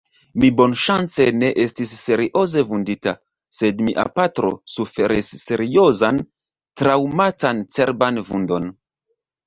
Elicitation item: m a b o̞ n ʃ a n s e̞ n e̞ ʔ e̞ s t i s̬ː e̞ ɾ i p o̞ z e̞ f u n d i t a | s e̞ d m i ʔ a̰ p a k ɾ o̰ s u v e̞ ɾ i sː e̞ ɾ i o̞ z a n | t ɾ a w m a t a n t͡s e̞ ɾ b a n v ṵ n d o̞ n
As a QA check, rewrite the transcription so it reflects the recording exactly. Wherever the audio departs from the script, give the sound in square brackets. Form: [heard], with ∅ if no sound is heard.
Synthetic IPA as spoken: m [i] b o̞ n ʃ a n [t͡s] e̞ n e̞ ʔ e̞ s t i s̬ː e̞ ɾ i [ʔ] o̞ z e̞ [v] u n d i t a | s e̞ d m i ʔ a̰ p a [t] ɾ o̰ s u [f] e̞ ɾ i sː e̞ ɾ i o̞ z a n | t ɾ a w m a t a n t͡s e̞ ɾ b a n v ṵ n d o̞ n